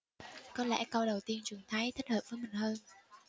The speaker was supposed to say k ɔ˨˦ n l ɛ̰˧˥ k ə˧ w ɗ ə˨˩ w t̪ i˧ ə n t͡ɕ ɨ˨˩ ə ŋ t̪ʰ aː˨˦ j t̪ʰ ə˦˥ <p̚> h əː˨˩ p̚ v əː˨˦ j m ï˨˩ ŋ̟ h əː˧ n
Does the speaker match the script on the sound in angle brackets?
no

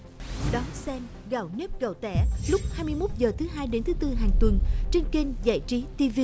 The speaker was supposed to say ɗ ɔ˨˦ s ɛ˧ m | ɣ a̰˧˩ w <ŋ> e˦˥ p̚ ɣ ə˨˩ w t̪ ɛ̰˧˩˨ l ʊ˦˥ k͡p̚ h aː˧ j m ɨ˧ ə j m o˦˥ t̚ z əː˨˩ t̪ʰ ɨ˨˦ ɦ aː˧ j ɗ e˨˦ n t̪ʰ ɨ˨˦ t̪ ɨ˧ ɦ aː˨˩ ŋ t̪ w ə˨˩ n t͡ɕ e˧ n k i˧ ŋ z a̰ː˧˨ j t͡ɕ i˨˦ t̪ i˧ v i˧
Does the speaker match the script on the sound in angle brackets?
no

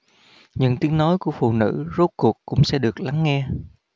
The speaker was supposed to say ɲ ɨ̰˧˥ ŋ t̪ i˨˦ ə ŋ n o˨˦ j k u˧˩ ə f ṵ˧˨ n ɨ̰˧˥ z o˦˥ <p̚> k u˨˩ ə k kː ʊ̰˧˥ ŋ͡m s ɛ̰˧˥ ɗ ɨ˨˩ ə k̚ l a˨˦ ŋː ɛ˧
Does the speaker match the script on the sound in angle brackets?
no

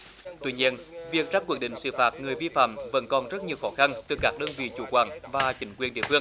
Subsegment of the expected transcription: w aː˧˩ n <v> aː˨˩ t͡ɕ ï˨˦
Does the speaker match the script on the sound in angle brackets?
yes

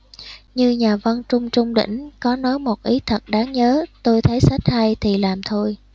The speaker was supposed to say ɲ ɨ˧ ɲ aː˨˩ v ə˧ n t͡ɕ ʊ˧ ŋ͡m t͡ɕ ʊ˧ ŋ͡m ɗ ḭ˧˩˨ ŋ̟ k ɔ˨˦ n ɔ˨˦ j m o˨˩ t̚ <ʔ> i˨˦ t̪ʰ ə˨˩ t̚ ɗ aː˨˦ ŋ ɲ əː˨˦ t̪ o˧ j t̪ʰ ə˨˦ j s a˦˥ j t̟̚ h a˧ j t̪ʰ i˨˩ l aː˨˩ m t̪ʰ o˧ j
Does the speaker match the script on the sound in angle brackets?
yes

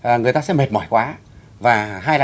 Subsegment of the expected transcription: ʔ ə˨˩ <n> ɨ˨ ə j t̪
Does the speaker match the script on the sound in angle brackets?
no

